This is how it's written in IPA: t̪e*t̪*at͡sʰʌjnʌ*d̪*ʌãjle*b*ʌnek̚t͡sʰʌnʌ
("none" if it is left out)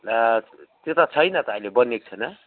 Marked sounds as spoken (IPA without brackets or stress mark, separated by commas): t̪, t̪, b